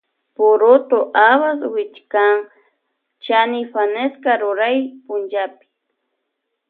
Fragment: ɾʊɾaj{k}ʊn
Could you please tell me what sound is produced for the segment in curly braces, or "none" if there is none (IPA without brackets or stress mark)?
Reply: p